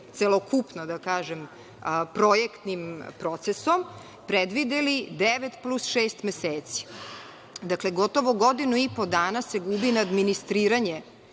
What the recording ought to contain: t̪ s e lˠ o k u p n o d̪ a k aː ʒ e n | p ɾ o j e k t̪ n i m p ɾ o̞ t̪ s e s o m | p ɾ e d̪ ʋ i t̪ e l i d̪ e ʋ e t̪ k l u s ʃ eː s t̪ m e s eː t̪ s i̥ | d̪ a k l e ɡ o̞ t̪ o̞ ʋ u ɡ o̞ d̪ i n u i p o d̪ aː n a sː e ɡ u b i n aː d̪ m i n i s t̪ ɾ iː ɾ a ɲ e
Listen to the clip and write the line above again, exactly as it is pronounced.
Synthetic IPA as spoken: t̪ s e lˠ o k u p n o d̪ a k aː ʒ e m | p ɾ o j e k t̪ n i m p ɾ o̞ t̪ s e s o m | p ɾ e d̪ ʋ i d̪ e l i d̪ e ʋ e t̪ p l u s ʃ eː s t̪ m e s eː t̪ s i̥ | d̪ a k l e ɡ o̞ t̪ o̞ ʋ o ɡ o̞ d̪ i n u i p o d̪ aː n a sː e ɡ u b i n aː d̪ m i n i s t̪ ɾ iː ɾ a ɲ e